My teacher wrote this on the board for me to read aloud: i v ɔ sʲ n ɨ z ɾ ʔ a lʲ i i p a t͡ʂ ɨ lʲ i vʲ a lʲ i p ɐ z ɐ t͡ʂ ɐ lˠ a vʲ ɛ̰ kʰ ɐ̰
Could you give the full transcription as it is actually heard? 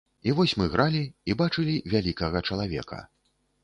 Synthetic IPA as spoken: i v ɔ sʲ m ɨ ɣ ɾ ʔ a lʲ i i b a t͡ʂ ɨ lʲ i vʲ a lʲ i k ɐ ɣ ɐ t͡ʂ ɐ lˠ a vʲ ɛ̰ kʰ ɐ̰